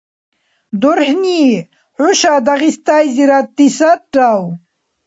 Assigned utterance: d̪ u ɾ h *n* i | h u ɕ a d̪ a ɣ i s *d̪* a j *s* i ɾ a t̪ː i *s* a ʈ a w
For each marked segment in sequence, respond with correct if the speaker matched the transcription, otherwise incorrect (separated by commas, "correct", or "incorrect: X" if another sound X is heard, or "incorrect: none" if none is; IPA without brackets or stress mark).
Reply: correct, incorrect: t̪, incorrect: z, correct